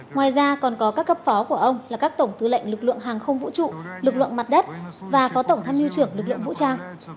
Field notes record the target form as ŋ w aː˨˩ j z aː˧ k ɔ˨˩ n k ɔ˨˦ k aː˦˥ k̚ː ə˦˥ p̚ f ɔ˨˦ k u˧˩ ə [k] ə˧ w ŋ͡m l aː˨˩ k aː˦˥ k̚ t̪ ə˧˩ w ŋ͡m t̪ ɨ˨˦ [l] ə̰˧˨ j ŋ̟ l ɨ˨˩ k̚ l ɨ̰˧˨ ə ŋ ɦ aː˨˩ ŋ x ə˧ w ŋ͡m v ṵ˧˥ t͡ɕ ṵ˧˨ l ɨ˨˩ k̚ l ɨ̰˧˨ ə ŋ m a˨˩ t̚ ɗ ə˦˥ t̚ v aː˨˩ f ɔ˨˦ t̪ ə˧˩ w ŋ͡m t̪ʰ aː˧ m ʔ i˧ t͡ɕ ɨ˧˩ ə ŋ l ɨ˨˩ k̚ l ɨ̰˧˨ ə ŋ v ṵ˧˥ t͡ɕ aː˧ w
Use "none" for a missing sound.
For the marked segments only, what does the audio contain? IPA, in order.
ʔ, l

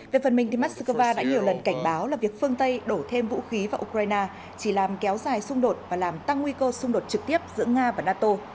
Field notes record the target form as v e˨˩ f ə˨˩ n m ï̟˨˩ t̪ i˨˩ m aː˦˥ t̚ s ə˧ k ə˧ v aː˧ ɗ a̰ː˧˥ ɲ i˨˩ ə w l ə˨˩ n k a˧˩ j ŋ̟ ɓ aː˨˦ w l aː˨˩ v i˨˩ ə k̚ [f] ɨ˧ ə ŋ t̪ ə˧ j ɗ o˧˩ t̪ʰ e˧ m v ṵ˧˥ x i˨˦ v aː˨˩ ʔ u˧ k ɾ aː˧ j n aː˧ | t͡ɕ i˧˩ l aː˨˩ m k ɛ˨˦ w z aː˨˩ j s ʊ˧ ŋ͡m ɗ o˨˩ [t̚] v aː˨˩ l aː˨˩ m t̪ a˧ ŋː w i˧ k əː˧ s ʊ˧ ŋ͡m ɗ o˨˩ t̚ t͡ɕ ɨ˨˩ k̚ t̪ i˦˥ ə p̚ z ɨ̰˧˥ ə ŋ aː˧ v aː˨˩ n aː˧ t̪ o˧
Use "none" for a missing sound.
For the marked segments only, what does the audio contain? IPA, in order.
f, t̚

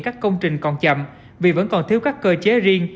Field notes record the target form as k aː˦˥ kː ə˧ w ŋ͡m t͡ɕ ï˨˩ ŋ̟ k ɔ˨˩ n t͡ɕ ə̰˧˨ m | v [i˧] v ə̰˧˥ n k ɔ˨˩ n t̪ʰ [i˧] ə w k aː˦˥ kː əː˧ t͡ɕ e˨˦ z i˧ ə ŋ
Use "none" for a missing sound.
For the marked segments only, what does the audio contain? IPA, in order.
i˨˩, i˧

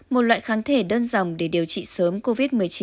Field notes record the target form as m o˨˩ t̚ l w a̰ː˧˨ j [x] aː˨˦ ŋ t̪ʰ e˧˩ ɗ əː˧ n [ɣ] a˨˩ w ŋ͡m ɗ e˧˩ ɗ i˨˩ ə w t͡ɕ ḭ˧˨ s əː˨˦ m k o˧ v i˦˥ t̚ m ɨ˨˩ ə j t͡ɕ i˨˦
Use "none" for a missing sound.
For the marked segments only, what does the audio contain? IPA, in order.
x, z

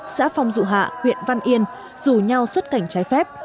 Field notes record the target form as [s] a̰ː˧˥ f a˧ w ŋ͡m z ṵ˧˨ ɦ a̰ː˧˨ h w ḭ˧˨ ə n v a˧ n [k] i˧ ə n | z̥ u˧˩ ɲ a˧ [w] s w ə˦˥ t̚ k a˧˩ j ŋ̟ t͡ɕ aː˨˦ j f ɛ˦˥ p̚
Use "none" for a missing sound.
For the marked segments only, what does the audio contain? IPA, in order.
s, ʔ, w

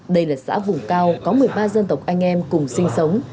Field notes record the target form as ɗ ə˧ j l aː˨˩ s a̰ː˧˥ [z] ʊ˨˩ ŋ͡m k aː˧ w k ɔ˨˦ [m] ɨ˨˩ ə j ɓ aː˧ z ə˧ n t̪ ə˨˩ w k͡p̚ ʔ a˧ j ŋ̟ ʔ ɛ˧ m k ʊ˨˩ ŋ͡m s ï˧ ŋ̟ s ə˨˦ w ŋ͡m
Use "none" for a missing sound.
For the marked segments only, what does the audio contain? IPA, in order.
v, m

